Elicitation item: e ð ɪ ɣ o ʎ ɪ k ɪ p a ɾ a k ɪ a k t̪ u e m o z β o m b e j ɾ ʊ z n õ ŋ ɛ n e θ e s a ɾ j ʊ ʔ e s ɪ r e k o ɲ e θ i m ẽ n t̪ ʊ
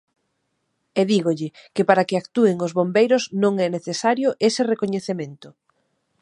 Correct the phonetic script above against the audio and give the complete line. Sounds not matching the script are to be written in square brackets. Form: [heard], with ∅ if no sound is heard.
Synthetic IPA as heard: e ð [i] ɣ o ʎ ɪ k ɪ p a ɾ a k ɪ a k t̪ u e [ŋ] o z β o m b e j ɾ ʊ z n õ ŋ ɛ n e θ e s a ɾ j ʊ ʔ e s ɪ r e k o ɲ e θ [e] m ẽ n t̪ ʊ

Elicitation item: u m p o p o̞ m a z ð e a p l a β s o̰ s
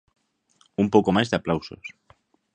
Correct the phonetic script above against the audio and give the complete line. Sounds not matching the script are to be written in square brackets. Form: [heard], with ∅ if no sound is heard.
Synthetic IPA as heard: u m p o [k] o̞ m a z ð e a p l a [w] s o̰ s

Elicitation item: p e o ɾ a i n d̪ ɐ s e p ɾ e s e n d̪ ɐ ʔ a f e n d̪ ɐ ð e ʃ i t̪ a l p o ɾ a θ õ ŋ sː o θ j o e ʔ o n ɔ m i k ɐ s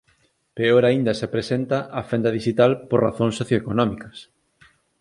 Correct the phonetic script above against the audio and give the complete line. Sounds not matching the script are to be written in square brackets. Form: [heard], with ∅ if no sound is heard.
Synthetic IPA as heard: p e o ɾ a i n d̪ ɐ s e p ɾ e s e n [t̪] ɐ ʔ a f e n d̪ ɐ ð [i] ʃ i t̪ a l p o [r] a θ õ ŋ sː o θ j o e [k] o n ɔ m i k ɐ s

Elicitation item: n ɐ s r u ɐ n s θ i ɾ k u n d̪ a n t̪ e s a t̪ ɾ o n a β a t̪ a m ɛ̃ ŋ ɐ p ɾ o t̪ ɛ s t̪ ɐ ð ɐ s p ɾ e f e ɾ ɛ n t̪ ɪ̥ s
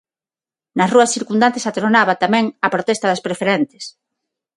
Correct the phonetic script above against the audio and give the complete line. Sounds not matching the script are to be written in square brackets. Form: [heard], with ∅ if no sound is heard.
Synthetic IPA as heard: n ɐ s r u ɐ [∅] s θ i ɾ k u n d̪ a n t̪ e s a t̪ ɾ o n a β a t̪ a m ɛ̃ ŋ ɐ p ɾ o t̪ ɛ s t̪ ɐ ð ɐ s p ɾ e f e ɾ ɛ n t̪ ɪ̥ s

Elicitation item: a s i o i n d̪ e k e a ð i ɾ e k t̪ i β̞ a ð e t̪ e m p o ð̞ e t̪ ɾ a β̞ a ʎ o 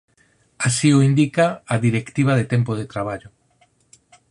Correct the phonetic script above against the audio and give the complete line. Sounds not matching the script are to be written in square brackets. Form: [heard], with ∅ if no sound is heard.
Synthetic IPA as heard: a s i o i n d̪ [i] k [a] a ð i ɾ e k t̪ i β̞ a ð e t̪ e m p o ð̞ e t̪ ɾ a β̞ a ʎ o

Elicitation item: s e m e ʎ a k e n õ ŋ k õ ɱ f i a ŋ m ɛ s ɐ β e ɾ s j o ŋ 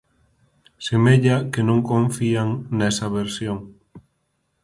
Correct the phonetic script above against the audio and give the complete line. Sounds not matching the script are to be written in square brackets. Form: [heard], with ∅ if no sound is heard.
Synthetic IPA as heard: s e m e ʎ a k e n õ ŋ k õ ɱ f i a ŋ [n] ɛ s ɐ β e ɾ s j o ŋ

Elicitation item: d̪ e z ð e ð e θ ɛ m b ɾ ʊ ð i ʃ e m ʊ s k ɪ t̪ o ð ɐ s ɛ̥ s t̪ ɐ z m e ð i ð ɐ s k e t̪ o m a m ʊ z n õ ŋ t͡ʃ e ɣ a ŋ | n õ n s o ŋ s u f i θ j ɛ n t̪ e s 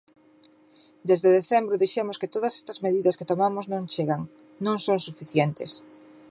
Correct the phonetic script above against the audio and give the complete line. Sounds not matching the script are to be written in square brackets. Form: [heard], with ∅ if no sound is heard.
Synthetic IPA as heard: d̪ e z ð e ð e θ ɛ m b ɾ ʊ ð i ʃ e m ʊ s k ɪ t̪ o ð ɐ s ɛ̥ s t̪ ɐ z m e ð i ð ɐ s k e t̪ o m a m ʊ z n õ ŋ t͡ʃ e ɣ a ŋ | n õ [ŋ] s o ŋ s u f i θ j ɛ n t̪ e s

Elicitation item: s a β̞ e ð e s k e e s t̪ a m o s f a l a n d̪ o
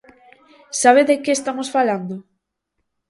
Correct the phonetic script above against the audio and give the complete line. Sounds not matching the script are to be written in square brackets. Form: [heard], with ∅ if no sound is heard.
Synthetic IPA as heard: s a β̞ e ð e [∅] k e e s t̪ a m o s f a l a n d̪ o

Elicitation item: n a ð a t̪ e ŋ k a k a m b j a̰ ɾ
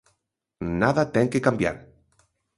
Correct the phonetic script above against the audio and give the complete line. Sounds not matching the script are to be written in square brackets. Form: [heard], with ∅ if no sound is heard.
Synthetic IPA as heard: n a ð a t̪ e ŋ k [e] k a m b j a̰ ɾ

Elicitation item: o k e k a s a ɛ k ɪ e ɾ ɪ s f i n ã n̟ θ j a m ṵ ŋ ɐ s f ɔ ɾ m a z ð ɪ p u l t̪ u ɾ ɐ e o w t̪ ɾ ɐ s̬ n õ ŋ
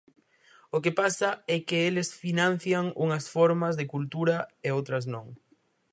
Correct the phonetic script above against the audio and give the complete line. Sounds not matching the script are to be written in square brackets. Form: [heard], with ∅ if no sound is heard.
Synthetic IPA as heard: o k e [p] a s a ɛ k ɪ e [l] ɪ s f i n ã n̟ θ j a [ŋ] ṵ ŋ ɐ s f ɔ ɾ m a z ð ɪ [k] u l t̪ u ɾ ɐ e o w t̪ ɾ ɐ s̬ n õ ŋ

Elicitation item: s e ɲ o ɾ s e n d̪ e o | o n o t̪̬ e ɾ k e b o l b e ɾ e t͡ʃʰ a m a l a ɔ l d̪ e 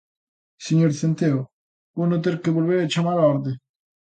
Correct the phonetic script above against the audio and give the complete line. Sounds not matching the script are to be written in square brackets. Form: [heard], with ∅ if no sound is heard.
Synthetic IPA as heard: s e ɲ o ɾ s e n [t̪] e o | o n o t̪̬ e ɾ k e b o l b e ɾ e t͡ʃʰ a m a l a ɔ [ɾ] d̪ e

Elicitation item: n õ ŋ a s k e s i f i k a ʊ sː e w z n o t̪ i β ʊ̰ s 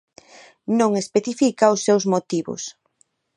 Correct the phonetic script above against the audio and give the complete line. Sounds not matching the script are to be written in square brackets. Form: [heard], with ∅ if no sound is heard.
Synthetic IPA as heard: n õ ŋ [e] s [p] e [θ] i f i k a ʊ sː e w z [m] o t̪ i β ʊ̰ s

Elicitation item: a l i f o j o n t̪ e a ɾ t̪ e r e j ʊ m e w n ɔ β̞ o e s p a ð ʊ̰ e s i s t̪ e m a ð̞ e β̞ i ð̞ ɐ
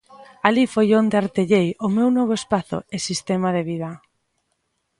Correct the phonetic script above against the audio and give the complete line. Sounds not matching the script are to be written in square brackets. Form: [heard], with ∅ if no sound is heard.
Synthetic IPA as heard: a l i f o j o n [d̪] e a ɾ t̪ e [ʎ] e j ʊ m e w n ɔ β̞ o e s p a [θ] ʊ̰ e s i s t̪ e m a ð̞ e β̞ i ð̞ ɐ

